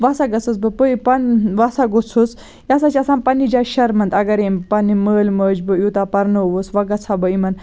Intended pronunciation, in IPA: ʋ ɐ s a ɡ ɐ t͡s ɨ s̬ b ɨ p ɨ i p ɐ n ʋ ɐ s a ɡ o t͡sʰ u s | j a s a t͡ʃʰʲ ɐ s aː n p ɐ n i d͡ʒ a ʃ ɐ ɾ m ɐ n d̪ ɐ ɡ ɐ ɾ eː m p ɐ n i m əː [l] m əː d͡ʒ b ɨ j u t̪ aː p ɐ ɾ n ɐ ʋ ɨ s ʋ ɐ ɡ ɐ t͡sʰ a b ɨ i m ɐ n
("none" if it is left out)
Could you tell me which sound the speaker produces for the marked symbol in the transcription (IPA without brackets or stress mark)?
l